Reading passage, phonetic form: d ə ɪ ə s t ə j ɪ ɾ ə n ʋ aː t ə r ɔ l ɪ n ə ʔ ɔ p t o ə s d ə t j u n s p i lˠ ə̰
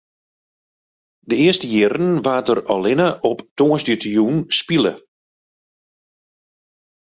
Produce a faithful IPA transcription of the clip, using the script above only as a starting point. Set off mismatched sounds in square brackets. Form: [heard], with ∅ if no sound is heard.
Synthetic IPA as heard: d ə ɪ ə s t ə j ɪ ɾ ə n ʋ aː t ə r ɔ l ɪ n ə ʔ ɔ p t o ə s d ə t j u n s p i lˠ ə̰

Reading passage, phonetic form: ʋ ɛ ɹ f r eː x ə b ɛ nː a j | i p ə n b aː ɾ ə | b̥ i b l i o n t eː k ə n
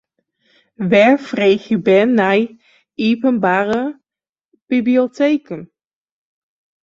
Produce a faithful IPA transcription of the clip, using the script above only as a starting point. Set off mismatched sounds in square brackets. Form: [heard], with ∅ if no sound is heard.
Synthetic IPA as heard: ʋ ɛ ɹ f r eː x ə b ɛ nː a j | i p ə n b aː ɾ ə | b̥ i b l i o [∅] t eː k ə n

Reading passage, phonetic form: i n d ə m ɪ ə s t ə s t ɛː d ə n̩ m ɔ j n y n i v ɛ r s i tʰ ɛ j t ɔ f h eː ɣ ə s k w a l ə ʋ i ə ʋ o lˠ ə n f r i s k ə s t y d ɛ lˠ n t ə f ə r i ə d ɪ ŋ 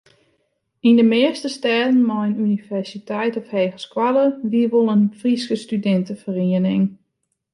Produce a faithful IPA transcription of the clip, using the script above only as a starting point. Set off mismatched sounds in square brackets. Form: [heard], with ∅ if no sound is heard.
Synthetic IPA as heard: i n d ə m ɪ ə s t ə s t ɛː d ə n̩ m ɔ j n y n i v ɛ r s i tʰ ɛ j t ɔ f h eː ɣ ə s k w a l ə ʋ i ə ʋ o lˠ ə n f r i s k ə s t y d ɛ [∅] n t ə f ə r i ə [n] ɪ ŋ

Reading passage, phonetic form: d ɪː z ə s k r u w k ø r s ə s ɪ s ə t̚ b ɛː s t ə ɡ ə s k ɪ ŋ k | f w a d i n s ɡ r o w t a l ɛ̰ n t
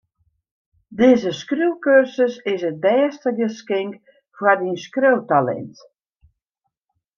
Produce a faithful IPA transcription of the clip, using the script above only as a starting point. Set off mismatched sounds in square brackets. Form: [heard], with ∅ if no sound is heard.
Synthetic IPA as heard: d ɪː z ə s k r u w k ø r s ə s ɪ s ə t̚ b ɛː s t ə ɡ ə s k ɪ ŋ k | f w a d i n s [k] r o w t a l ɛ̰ n t

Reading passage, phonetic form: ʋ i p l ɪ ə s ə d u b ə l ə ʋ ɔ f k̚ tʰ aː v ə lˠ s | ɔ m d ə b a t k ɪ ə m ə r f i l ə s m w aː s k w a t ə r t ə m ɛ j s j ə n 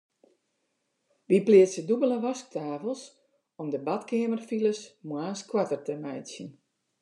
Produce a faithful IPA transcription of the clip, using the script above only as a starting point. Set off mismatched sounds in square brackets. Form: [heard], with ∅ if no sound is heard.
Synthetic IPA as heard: ʋ i p l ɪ ə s ə d u b ə l ə ʋ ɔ [s] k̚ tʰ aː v ə lˠ s | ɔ m d ə b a t k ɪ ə m ə r f i l ə s m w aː s k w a t ə r t ə m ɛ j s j ə n

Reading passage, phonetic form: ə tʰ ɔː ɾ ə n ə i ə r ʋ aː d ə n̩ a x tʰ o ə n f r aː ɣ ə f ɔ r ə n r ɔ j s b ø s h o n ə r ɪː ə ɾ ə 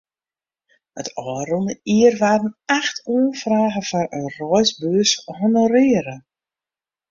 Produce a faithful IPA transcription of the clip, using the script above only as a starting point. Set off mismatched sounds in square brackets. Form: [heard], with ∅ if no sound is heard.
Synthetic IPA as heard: ə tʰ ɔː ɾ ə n ə i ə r ʋ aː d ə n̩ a x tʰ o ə n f r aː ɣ ə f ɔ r ə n r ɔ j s b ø s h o n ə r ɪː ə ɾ ə

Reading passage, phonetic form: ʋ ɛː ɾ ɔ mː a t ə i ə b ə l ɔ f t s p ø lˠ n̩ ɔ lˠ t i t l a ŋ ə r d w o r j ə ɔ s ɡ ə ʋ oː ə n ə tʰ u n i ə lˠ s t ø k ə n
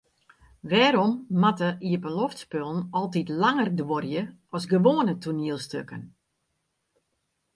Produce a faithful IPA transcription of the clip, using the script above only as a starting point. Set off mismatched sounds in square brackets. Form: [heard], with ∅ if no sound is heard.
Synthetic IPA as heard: ʋ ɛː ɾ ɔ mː a t ə i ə b ə l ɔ f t s p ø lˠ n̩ ɔ lˠ t i t l a ŋ ə r d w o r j ə ɔ s ɡ ə ʋ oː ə n ə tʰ u n i ə lˠ s t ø k ə n

